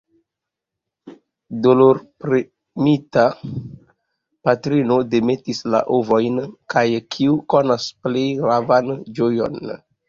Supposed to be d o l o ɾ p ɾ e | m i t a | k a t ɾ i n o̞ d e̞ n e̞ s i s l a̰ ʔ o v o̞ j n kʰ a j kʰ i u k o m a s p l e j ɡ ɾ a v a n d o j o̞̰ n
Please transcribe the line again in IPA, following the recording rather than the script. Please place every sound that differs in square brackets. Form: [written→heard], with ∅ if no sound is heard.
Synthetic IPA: d o l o ɾ p ɾ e | m i t a | [k→p] a t ɾ i n o̞ d e̞ [n→m] e̞ [s→t] i s l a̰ ʔ o v o̞ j n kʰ a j kʰ i u k o [m→n] a s p l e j ɡ ɾ a v a n [d→d͡ʒ] o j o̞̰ n